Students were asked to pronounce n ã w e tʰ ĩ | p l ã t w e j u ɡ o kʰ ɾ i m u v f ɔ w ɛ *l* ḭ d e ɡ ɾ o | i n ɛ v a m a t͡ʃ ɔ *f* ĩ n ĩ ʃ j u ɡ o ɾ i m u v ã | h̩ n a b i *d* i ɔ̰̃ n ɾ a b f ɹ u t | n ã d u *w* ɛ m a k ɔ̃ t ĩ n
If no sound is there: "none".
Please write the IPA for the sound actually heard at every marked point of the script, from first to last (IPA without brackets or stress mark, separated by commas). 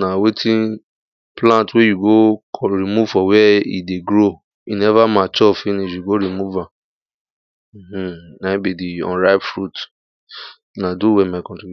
none, f, d, w